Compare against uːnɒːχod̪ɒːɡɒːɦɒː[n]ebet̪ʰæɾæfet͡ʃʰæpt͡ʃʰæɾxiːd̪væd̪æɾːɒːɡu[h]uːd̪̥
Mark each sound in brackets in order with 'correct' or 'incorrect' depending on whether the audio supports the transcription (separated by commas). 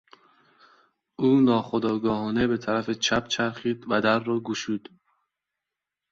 correct, incorrect